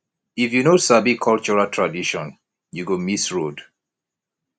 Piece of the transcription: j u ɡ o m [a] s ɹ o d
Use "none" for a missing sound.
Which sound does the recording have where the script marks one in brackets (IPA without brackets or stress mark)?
i